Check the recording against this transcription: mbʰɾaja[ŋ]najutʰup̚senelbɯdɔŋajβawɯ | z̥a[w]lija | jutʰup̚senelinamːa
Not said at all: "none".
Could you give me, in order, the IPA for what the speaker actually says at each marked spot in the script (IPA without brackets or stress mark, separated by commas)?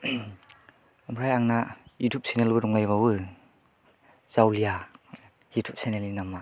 ŋ, w